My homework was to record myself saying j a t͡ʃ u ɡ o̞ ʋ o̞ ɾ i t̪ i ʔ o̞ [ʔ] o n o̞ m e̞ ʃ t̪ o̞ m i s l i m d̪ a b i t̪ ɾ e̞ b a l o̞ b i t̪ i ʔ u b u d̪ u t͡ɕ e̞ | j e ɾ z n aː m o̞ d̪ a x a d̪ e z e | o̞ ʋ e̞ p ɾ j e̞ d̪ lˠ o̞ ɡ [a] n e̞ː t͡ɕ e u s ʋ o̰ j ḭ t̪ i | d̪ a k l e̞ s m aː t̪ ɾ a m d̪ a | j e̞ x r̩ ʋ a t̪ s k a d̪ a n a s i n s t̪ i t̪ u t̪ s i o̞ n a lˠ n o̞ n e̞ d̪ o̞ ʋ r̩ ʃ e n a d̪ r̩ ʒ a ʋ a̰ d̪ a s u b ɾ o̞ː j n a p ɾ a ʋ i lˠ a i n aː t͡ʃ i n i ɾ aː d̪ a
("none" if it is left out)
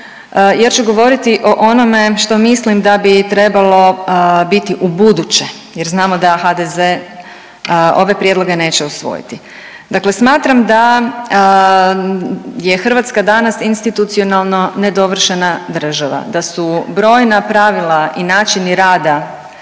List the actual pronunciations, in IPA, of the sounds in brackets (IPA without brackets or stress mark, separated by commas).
ʔ, e